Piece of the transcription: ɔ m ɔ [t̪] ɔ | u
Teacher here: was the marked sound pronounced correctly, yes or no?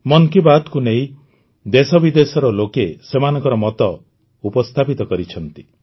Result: yes